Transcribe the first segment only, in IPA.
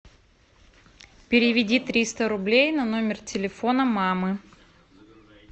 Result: pʲ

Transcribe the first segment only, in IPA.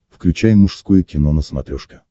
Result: f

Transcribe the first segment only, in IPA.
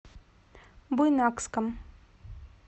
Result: b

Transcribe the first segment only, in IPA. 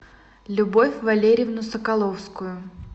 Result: lʲ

